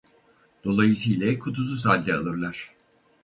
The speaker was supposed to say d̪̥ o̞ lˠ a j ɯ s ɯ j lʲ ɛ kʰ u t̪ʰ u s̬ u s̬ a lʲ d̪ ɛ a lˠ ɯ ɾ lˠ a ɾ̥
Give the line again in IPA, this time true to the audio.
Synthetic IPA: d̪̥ o̞ lˠ a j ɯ s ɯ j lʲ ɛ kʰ u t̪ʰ u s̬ u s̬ a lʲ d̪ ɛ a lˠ ɯ ɾ lˠ a ɾ̥